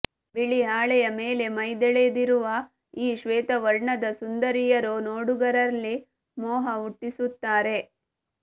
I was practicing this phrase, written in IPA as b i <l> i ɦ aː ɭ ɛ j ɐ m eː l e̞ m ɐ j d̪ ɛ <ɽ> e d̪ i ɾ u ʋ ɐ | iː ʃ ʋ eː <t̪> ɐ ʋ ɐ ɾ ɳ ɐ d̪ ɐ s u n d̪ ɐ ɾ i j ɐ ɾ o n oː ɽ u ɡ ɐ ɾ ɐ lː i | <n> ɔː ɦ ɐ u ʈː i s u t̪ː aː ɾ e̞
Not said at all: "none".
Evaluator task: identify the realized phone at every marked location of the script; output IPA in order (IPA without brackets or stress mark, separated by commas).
ɭ, ɭ, t̪, m